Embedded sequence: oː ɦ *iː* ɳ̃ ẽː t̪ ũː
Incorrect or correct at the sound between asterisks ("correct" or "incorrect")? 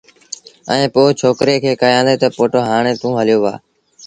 incorrect